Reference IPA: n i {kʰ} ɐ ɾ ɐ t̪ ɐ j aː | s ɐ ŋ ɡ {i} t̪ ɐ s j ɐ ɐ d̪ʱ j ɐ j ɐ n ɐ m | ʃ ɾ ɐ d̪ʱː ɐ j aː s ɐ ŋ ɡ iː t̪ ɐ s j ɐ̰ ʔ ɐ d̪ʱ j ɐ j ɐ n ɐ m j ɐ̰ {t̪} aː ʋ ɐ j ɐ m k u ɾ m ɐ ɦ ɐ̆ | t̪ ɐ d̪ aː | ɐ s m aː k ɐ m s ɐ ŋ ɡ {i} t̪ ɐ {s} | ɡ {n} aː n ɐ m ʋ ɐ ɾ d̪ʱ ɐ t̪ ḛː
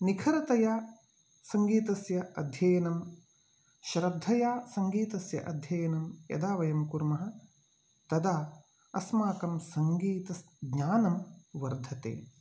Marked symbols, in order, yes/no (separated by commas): yes, no, no, no, yes, no